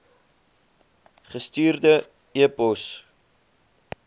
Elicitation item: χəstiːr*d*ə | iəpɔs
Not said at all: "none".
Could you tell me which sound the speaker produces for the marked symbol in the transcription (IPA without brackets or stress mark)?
d